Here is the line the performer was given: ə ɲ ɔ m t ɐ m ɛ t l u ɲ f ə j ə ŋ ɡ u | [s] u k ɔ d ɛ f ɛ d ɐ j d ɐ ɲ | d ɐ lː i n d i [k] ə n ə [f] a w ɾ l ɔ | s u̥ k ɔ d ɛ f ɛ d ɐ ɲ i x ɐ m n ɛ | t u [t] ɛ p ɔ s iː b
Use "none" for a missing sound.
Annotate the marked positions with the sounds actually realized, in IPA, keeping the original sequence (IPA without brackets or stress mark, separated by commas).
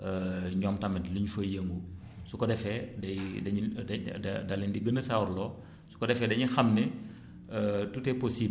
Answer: s, ɡ, s, t